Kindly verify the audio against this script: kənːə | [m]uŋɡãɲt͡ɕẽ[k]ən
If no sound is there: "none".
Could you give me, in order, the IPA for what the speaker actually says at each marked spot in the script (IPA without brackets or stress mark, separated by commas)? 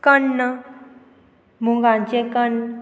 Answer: m, k